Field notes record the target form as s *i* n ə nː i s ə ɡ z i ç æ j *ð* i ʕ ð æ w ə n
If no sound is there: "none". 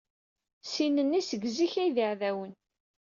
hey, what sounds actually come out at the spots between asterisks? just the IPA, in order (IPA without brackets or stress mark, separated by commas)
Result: i, ð